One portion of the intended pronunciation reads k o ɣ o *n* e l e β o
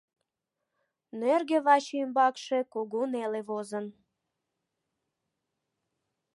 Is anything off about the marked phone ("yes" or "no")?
no